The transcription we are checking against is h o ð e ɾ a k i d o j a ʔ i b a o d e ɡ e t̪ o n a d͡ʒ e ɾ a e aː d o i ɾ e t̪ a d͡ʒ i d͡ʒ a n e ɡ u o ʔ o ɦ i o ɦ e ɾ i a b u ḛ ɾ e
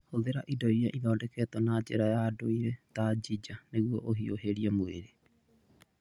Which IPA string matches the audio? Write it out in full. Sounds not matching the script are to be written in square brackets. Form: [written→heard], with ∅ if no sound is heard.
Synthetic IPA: h o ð e ɾ a [k→ʔ] i d o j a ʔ i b a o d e [ɡ→k] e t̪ o n a d͡ʒ e ɾ a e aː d o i ɾ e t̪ a d͡ʒ i d͡ʒ a n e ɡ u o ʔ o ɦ i o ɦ e ɾ i a [b→m] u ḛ ɾ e